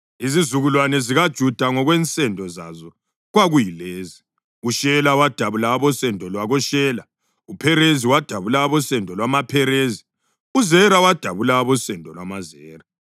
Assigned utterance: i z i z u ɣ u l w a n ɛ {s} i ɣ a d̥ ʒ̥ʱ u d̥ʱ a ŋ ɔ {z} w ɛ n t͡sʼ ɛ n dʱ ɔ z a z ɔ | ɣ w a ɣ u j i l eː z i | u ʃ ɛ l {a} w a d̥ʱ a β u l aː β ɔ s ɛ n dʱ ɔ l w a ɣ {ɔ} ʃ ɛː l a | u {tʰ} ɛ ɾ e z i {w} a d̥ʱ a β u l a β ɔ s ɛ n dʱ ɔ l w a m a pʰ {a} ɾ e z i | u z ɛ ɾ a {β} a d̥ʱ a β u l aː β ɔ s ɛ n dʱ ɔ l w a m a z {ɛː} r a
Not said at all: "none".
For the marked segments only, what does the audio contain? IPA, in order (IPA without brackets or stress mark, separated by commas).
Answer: z, ɣ, a, ɔ, pʰ, w, ɛ, w, ɛː